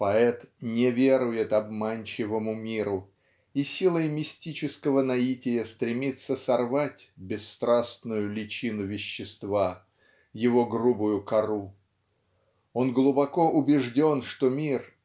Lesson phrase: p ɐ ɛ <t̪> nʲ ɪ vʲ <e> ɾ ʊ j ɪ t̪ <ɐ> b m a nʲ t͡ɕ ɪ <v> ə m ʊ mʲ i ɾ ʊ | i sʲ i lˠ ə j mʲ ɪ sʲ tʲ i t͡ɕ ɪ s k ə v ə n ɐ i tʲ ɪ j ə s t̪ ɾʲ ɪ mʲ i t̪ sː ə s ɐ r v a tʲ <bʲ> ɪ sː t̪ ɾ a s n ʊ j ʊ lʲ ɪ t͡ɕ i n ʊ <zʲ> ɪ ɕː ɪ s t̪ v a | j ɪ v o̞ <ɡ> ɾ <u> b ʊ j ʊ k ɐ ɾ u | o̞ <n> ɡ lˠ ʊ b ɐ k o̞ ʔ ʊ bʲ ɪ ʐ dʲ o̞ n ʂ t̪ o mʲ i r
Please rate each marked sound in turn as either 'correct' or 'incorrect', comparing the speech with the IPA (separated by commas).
correct, correct, correct, correct, correct, incorrect, correct, correct, correct